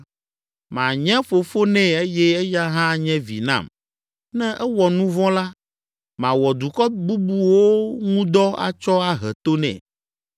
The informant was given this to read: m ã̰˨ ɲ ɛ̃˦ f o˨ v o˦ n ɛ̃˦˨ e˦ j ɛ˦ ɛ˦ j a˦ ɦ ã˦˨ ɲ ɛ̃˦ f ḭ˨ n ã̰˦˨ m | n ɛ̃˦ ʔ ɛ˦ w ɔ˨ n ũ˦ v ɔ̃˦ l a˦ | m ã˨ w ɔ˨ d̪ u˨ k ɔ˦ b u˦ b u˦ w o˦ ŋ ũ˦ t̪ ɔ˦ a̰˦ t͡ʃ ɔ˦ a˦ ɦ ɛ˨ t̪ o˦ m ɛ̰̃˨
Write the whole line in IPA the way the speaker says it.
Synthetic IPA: m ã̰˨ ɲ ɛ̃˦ f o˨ f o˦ n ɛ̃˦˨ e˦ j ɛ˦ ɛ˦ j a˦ ɦ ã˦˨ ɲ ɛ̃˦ v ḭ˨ n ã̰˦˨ m | n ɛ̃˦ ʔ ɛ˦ w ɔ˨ n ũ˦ v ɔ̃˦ l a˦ | m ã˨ w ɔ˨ d̪ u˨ k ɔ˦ b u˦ b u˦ w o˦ ŋ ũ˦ d̪ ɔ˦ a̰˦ t͡ʃ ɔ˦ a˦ ɦ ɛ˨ t̪ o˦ n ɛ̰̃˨